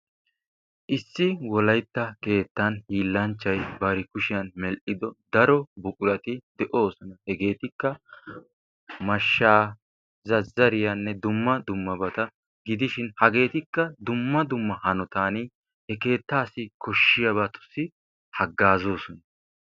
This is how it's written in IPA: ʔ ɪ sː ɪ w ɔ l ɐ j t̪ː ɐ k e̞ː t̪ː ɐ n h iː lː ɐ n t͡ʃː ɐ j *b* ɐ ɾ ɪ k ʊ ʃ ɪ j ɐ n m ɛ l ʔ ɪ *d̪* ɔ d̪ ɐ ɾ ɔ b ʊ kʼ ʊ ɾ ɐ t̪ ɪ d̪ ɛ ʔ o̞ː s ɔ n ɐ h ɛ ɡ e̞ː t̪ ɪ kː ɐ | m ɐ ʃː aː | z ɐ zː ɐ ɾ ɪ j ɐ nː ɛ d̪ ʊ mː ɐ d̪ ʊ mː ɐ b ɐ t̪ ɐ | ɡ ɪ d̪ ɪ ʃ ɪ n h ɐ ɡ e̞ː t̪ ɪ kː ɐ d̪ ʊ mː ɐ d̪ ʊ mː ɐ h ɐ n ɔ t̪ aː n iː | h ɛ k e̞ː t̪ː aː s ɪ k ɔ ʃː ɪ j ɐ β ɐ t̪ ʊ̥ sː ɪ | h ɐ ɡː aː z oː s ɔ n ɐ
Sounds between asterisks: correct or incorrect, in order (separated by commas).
correct, correct